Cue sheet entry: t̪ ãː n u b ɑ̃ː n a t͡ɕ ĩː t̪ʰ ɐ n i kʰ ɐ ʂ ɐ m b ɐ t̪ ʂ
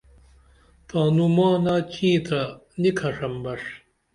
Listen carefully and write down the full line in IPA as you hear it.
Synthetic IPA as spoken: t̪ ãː n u m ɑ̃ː n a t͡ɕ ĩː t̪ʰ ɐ n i kʰ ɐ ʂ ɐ m b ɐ ʂ